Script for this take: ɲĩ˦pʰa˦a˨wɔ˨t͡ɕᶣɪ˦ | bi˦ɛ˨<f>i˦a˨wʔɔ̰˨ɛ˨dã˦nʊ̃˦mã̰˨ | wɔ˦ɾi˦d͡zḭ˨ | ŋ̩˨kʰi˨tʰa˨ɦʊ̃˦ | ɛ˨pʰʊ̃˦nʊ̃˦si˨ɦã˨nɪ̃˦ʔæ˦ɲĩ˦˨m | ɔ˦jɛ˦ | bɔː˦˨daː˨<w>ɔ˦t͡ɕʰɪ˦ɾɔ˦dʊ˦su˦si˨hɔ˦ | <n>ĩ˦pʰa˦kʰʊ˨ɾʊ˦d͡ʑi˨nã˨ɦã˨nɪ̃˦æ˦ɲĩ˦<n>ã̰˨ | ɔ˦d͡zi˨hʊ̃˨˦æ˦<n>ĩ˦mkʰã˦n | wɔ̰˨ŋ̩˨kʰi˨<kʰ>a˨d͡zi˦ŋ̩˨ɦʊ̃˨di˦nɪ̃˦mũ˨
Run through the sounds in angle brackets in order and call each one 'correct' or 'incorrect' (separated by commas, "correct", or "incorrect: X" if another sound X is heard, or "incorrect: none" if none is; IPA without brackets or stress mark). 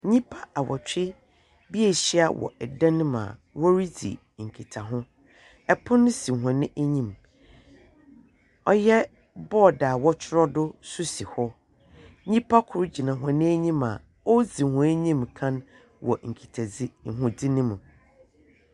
incorrect: ɕ, correct, incorrect: ɲ, incorrect: m, incorrect: ɲ, incorrect: tʰ